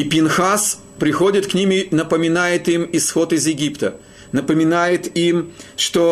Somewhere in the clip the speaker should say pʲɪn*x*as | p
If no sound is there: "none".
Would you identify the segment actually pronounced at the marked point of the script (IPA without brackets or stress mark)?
x